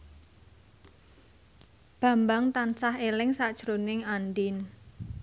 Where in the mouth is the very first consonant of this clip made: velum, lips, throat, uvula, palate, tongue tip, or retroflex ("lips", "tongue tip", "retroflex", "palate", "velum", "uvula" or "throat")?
lips